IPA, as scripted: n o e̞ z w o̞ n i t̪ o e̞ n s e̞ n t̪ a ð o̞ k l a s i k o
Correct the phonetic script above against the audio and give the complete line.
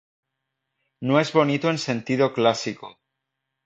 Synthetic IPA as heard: n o e̞ z β o̞ n i t̪ o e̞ n s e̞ n t̪ i ð o̞ k l a s i k o